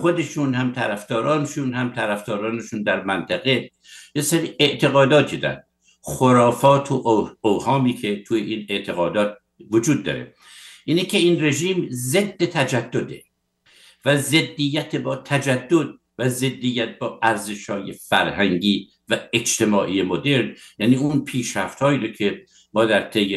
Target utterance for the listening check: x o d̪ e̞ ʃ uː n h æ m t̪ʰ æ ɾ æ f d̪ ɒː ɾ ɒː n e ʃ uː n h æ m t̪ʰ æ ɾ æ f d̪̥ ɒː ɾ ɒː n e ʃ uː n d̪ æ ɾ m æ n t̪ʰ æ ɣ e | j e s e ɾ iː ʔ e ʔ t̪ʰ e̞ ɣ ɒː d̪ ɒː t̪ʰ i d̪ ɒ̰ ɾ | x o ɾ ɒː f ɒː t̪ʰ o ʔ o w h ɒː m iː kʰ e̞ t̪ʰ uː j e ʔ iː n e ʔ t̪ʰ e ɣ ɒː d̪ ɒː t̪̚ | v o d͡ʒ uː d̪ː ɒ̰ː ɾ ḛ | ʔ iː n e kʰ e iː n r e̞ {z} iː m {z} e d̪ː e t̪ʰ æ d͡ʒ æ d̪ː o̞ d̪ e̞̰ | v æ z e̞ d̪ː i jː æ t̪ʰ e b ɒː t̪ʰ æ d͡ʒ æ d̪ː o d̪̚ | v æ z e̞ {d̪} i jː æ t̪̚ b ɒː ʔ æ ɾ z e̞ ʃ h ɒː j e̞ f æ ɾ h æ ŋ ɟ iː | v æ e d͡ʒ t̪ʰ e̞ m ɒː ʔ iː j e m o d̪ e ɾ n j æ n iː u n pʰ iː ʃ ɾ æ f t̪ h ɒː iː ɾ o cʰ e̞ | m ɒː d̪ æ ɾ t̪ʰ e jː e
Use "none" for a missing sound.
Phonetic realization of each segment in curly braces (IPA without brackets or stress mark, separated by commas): ʒ, z, d̪ː